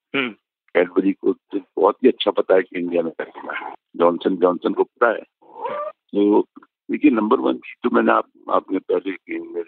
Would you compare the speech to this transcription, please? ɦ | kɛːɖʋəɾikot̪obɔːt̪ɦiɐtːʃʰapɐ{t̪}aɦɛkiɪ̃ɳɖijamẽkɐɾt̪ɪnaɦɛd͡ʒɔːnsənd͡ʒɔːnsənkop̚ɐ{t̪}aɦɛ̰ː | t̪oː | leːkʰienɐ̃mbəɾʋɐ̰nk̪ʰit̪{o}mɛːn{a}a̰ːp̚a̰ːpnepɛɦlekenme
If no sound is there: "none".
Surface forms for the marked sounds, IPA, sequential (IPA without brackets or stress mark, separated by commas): t̪, t̪, o, e